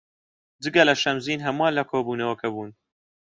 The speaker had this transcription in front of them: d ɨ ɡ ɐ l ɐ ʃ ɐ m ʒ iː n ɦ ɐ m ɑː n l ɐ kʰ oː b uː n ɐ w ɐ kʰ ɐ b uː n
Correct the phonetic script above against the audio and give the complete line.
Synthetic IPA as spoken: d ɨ ɡ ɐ l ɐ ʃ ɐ m z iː n ɦ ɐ m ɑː n l ɐ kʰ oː b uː n ɐ w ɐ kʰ ɐ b uː n